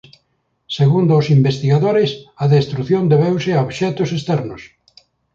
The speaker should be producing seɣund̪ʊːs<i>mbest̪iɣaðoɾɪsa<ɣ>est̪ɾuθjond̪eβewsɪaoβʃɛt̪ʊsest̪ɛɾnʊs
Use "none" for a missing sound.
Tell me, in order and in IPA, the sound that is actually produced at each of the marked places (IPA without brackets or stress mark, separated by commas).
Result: i, ð